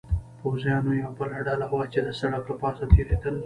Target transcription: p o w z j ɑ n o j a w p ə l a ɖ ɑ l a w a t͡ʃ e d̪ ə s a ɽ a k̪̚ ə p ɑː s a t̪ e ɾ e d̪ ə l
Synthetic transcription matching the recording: p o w z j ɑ n o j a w b ə l a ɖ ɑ l a w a t͡ʃ e d̪ ə s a ɽ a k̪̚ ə p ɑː s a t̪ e ɾ e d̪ ə l